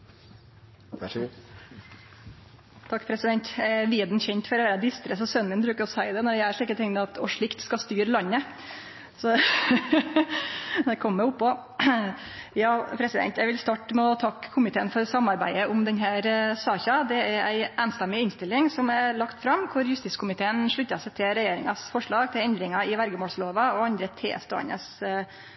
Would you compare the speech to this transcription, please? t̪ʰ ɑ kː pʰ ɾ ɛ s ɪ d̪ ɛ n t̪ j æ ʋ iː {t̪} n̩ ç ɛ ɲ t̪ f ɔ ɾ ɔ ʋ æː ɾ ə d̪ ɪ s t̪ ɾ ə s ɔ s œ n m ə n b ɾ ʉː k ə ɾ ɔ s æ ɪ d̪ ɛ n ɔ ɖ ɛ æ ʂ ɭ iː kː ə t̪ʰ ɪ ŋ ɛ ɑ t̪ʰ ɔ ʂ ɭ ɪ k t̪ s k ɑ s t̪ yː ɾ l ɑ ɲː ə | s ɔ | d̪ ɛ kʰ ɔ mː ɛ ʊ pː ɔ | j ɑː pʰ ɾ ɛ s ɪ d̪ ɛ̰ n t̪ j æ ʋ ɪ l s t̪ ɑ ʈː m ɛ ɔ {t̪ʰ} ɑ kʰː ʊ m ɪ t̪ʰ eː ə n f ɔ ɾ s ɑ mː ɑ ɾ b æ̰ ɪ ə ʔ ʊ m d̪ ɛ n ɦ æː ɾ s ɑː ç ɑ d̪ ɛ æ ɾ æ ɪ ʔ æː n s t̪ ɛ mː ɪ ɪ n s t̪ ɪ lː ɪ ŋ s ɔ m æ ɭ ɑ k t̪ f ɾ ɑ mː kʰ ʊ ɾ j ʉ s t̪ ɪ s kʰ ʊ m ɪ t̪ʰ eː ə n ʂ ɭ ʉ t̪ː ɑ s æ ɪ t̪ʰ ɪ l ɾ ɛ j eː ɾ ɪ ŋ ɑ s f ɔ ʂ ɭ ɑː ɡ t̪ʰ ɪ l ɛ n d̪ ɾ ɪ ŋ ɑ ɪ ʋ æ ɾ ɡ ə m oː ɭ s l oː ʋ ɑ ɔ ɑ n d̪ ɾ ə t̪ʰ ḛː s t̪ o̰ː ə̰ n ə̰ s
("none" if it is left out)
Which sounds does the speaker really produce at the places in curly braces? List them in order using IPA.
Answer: d̪, t̪ʰ

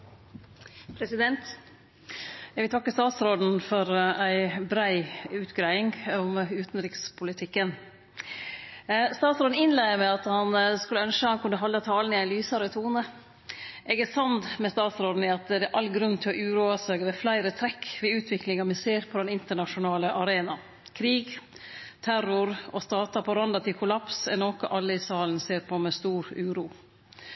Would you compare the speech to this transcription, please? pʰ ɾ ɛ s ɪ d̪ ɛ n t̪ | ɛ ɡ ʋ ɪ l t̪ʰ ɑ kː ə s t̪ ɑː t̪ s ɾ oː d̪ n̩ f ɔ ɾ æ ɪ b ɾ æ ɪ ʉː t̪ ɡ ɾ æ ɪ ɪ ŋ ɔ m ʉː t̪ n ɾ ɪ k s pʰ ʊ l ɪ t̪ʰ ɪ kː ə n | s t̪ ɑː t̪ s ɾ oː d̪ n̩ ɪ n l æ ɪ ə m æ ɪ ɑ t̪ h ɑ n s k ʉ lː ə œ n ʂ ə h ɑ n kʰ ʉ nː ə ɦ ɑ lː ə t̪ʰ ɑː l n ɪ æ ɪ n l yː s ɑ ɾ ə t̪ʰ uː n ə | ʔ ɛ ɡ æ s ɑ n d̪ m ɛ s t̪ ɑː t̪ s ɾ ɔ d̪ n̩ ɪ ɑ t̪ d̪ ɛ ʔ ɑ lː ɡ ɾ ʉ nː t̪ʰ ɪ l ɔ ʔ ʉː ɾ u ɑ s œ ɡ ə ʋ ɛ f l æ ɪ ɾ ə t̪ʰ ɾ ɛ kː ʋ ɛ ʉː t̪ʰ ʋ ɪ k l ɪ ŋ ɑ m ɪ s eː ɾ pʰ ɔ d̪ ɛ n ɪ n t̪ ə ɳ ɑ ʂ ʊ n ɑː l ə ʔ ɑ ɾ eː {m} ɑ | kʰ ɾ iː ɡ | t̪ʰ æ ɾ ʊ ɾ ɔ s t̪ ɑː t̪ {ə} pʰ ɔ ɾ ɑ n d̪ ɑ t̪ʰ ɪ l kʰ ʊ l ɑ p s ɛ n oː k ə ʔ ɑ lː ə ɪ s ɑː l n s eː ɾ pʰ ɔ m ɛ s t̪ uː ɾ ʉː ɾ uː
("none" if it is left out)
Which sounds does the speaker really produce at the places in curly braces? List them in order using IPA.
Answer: n, ɑ

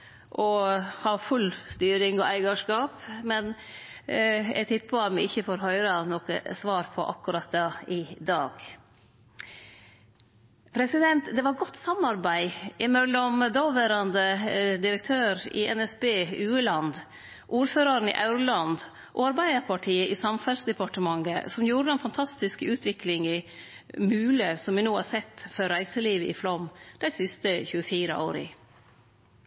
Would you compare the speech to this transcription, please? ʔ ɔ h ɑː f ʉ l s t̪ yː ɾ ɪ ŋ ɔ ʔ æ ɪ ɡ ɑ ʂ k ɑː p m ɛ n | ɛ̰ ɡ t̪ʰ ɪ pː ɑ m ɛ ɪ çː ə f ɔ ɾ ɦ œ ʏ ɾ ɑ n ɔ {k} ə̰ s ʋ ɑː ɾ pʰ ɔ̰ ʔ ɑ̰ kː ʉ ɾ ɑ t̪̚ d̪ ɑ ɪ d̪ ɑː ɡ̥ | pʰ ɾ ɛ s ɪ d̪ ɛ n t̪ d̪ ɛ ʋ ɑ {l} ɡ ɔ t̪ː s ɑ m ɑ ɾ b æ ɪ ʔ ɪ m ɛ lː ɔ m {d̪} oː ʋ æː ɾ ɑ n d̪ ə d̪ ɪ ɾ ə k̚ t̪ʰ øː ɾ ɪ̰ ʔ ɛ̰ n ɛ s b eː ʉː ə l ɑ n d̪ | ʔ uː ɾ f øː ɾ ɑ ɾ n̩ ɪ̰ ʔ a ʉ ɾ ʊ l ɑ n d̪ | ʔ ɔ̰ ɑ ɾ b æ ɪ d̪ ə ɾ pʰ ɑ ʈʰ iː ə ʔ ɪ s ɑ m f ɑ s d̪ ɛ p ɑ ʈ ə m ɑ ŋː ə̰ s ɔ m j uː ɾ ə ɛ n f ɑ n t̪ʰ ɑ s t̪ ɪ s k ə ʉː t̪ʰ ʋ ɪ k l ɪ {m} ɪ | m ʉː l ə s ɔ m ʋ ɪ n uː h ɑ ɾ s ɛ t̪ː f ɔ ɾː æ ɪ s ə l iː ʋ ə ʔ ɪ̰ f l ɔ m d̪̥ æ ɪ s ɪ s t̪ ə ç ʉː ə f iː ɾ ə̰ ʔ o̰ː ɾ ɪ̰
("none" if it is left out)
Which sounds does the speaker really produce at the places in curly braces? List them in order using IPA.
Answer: k, ɾ, d̪, ŋ

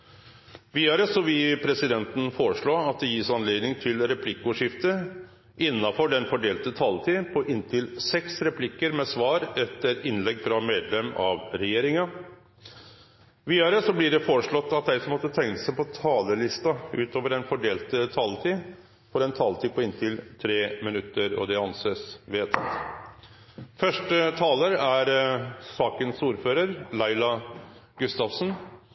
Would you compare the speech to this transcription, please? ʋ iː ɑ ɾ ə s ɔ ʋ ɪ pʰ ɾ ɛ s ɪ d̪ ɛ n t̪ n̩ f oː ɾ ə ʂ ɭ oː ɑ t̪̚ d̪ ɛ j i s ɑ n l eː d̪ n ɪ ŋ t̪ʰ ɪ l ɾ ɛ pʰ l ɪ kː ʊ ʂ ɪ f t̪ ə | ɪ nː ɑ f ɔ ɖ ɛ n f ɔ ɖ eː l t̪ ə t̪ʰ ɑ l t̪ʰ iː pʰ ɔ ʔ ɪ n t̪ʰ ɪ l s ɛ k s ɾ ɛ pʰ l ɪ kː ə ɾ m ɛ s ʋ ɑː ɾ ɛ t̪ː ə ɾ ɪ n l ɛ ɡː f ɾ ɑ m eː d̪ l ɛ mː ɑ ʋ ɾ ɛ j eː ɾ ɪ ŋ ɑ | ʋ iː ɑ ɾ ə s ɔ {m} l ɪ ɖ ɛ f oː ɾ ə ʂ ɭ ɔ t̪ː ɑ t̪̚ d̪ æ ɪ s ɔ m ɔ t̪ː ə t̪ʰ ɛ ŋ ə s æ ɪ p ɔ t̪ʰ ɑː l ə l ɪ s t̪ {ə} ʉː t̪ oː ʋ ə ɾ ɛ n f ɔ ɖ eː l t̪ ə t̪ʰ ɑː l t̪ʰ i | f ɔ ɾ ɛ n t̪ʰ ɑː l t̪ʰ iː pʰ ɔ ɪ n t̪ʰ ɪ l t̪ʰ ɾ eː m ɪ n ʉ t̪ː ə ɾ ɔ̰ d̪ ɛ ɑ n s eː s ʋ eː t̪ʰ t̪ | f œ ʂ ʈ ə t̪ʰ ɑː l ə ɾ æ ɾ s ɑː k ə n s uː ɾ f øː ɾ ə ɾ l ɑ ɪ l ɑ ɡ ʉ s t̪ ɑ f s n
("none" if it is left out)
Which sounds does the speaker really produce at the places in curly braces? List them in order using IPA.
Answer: b, ɑ

